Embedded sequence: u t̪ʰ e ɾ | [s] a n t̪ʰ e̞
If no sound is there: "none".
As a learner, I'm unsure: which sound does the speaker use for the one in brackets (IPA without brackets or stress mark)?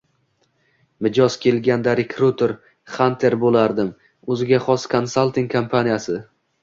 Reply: χ